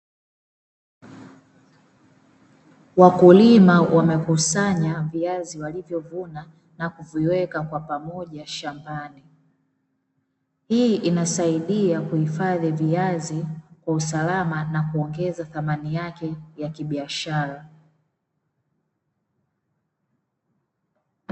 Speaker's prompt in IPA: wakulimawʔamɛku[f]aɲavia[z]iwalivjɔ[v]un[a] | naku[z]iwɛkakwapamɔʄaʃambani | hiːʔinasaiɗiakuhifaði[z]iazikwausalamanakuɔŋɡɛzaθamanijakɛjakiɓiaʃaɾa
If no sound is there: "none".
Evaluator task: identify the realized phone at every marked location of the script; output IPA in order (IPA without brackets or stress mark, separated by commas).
s, z, v, a, v, v